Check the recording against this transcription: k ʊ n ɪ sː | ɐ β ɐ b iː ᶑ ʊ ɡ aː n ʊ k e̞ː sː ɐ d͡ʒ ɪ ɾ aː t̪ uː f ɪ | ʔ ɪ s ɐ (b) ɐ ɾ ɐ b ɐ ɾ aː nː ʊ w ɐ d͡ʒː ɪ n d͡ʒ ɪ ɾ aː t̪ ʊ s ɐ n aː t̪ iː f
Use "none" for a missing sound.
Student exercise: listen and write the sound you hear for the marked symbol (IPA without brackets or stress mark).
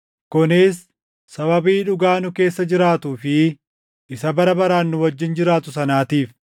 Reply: b